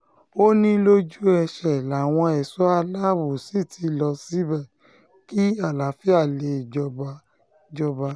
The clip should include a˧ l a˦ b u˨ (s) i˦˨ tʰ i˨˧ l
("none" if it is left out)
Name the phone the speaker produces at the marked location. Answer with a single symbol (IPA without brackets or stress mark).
s